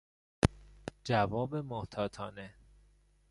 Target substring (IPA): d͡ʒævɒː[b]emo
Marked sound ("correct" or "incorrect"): correct